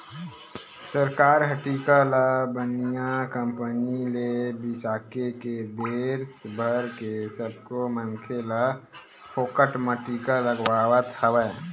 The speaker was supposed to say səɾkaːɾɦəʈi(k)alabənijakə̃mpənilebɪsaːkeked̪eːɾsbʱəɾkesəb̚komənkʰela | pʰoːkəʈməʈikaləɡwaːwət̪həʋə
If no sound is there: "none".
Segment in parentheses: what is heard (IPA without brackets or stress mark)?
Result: k